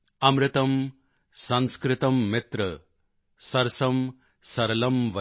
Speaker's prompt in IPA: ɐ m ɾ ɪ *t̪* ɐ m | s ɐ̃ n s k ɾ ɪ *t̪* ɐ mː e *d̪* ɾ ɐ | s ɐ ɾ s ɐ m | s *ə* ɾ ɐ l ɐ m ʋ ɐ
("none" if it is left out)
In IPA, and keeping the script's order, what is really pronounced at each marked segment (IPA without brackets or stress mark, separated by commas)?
t̪, t̪, t̪, ɐ